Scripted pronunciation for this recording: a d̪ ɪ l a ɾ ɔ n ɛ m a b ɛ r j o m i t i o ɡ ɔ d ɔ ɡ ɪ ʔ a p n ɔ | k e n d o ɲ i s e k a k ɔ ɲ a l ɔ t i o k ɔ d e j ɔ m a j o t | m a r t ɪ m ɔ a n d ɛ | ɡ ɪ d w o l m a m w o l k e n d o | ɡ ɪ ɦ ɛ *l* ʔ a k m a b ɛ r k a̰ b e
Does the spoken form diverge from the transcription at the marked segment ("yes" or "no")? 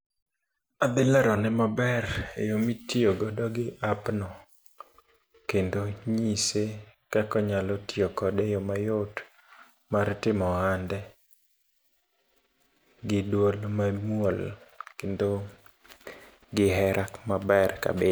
yes